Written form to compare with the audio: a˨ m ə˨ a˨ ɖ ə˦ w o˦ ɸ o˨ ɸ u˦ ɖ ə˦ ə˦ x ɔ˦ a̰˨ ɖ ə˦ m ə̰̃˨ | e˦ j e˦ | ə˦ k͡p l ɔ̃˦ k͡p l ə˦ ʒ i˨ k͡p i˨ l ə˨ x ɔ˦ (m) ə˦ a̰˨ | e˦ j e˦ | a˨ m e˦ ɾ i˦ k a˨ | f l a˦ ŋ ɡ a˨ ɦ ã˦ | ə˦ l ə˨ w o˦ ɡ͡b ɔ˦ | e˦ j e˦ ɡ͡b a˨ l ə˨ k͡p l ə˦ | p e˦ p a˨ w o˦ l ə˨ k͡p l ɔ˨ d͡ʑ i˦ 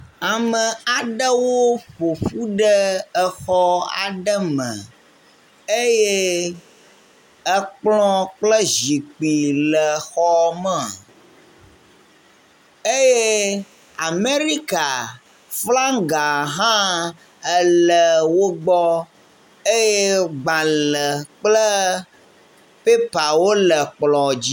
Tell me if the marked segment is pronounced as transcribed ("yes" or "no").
yes